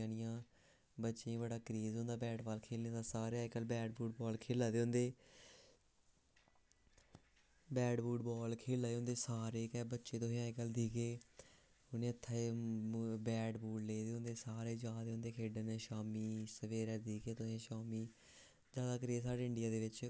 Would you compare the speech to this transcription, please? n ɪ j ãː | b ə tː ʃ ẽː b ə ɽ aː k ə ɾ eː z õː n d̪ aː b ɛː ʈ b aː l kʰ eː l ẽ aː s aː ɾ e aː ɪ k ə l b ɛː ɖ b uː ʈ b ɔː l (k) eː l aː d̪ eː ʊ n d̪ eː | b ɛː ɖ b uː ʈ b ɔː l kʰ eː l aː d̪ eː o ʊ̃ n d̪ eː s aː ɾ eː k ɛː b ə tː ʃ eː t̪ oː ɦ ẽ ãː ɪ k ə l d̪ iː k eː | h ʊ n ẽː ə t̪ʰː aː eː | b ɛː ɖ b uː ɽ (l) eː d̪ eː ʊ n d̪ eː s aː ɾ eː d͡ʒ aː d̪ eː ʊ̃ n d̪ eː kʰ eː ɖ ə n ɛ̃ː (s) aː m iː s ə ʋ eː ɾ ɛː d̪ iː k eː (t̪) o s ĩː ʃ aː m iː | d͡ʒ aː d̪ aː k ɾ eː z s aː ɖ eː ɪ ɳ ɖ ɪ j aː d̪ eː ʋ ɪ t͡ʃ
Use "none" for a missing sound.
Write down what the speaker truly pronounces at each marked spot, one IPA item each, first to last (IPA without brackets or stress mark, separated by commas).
kʰ, l, ʃ, t̪